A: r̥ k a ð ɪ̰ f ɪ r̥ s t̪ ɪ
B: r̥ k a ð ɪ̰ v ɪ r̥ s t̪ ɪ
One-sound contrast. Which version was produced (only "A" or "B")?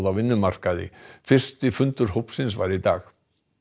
A